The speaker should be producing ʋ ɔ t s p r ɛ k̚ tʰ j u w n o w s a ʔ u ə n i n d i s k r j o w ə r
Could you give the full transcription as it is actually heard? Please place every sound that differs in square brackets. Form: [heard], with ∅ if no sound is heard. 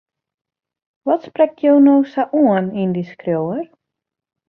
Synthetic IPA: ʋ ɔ t s p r ɛ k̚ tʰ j [o] w n o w s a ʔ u ə n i n d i s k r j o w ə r